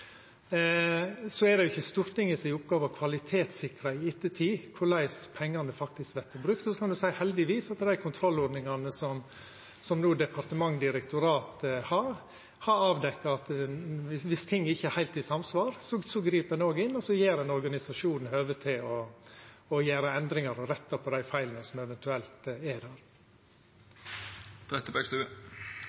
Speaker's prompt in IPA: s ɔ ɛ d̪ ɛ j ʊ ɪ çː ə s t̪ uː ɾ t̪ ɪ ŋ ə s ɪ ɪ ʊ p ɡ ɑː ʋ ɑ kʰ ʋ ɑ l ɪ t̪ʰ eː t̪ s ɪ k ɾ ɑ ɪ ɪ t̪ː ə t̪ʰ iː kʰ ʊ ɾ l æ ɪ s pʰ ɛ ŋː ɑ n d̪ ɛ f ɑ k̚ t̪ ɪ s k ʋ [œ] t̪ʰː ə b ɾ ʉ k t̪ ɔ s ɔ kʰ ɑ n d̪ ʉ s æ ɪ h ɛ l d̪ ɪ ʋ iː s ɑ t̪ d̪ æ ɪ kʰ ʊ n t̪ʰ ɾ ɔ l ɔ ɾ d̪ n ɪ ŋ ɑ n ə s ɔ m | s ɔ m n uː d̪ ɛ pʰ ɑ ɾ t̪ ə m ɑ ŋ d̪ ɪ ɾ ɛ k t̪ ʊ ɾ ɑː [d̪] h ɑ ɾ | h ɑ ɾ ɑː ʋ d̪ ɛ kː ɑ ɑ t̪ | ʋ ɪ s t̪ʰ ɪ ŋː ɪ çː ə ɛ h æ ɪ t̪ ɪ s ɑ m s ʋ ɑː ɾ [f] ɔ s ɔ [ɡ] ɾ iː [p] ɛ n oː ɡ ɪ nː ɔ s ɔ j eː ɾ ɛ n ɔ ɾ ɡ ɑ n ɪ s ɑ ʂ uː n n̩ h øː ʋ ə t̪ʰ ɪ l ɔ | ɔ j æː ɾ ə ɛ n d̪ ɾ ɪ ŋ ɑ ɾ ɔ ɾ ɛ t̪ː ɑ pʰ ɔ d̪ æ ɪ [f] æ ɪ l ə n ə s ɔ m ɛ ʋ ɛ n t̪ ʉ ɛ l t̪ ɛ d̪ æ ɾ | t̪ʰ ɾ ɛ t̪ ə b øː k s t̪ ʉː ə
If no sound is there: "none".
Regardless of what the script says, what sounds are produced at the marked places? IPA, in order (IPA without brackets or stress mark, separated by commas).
ɛ, t̪, s, ɡ, p, f